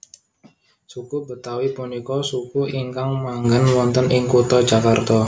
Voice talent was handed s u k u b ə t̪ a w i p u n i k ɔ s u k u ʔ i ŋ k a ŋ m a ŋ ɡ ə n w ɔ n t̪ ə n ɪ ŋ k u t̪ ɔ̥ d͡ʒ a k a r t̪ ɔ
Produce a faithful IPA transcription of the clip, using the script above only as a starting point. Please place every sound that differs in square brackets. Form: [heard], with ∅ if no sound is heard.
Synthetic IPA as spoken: s u k u b ə t̪ a w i p u n i k ɔ s u k u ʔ i ŋ k a ŋ m a ŋ ɡ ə n w ɔ n t̪ ə n ɪ ŋ k u t̪ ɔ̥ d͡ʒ a k a r t̪ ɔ